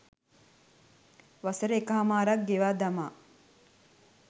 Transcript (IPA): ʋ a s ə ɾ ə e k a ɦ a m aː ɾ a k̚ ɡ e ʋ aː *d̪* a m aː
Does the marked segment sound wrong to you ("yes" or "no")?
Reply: no